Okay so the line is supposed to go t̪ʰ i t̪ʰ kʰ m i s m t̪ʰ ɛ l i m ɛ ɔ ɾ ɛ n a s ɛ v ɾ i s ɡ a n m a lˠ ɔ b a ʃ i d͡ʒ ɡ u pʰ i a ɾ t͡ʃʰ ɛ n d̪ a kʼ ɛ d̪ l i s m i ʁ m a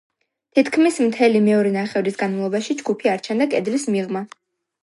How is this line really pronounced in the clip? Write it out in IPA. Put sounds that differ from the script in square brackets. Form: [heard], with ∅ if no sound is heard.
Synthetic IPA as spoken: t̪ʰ i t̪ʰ kʰ m i s m t̪ʰ ɛ l i m ɛ ɔ ɾ ɛ n a [χ] ɛ v ɾ i s ɡ a n m a lˠ ɔ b a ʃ i d͡ʒ ɡ u pʰ i a ɾ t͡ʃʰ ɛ n d̪ a kʼ ɛ d̪ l i s m i ʁ m a